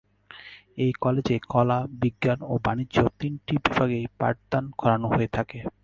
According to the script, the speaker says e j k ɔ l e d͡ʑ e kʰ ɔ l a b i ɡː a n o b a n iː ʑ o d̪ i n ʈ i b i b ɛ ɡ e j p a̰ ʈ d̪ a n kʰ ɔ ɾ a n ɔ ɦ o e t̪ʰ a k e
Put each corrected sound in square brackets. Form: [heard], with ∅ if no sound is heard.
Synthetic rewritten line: e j k ɔ l e d͡ʑ e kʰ ɔ l a b i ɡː a n o b a n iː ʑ o [t̪] i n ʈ i b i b [a] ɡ e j p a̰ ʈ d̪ a n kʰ ɔ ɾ a n [o] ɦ o e t̪ʰ a k e

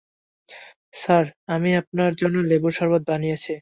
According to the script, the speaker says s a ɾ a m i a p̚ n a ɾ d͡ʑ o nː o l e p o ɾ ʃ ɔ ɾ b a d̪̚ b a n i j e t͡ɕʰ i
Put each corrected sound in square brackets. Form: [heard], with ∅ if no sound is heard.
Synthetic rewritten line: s a ɾ a m i a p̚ n a ɾ d͡ʑ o nː o l e [b] o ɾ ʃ ɔ ɾ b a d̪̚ b a n i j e t͡ɕʰ i

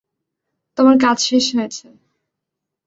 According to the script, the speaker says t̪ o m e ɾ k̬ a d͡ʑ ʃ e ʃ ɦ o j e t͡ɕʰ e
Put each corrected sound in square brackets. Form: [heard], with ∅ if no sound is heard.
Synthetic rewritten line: t̪ o m [a] ɾ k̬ a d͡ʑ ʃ e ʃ ɦ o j e t͡ɕʰ e

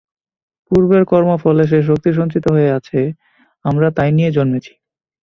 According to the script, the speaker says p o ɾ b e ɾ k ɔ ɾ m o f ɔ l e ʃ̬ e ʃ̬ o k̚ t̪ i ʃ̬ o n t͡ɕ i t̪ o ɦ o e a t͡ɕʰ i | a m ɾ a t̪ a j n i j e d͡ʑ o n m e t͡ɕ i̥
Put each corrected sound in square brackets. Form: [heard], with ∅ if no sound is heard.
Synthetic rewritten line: p [u] ɾ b e ɾ k ɔ ɾ m o f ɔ l e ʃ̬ e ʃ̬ o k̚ t̪ i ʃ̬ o n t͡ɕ i t̪ o ɦ o e a t͡ɕʰ [e] | a m ɾ a t̪ a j n i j e d͡ʑ o n m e [t͡ɕʰ] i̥

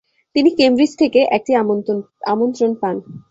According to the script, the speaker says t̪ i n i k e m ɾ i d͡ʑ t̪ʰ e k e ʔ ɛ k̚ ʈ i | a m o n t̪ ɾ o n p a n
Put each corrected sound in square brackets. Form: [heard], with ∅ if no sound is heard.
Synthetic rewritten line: t̪ i n i k e m ɾ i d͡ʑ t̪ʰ e k e ʔ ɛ k̚ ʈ i | a m o n t̪ ɾ o n p a n

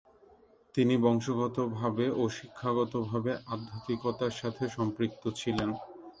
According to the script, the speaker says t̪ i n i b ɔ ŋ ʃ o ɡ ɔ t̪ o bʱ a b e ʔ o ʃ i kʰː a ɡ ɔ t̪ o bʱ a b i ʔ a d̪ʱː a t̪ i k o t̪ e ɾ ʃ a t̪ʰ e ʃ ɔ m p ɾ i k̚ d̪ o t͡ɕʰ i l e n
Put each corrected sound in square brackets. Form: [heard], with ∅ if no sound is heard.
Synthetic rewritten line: t̪ i n i b ɔ ŋ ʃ o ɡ ɔ t̪ o bʱ a b e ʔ o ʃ i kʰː a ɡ ɔ t̪ o bʱ a b [e] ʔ a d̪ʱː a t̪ i k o t̪ [a] ɾ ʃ a t̪ʰ e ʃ ɔ m p ɾ i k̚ [t̪] o t͡ɕʰ i l e n

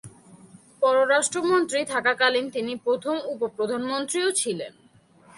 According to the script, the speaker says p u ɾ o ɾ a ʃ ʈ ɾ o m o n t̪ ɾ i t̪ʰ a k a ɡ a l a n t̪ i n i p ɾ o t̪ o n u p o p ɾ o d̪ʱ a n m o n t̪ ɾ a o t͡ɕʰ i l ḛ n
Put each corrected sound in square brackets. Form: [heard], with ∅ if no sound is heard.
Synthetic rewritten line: p [ɔ] ɾ o ɾ a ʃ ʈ ɾ o m o n t̪ ɾ i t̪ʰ a k a [k] a l [i] n t̪ i n i p ɾ o [t̪ʰ] o [m] u p o p ɾ o d̪ʱ a n m o n t̪ ɾ [i] o t͡ɕʰ i l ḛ n

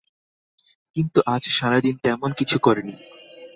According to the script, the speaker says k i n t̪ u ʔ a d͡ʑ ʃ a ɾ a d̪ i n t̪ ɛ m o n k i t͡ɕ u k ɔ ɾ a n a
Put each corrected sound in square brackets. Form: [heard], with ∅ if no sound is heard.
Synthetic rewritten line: k i n t̪ u ʔ a d͡ʑ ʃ a ɾ a d̪ i n t̪ ɛ m o n k i [t͡ɕʰ] u k ɔ ɾ [e] n [i]

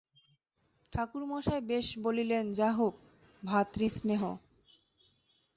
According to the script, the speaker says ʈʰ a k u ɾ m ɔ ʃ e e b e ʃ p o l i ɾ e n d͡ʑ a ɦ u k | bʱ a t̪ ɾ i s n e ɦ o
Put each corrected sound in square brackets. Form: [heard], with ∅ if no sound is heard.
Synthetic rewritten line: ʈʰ a k u ɾ m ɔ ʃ [a] e b e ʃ [b] o l i [l] e n d͡ʑ a ɦ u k | bʱ a t̪ ɾ i s n e ɦ o

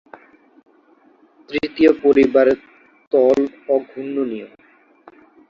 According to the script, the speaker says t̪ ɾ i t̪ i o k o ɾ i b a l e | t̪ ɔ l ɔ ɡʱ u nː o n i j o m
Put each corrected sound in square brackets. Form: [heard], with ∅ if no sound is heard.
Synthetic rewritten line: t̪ ɾ i t̪ i o [p] o ɾ i b a [ɾ] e | t̪ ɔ l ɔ ɡʱ u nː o n i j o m

